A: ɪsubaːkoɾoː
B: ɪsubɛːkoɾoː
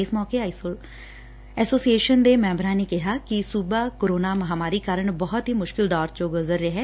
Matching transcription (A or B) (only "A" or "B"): A